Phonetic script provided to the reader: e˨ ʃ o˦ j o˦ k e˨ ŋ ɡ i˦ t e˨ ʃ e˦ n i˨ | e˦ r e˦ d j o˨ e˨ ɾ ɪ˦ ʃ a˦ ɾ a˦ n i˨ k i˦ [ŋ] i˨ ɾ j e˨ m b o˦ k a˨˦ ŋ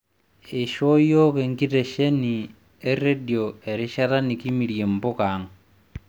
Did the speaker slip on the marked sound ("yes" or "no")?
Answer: yes